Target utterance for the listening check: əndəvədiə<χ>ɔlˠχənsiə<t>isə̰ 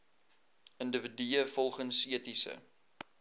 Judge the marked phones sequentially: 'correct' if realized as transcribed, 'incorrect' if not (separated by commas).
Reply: incorrect, correct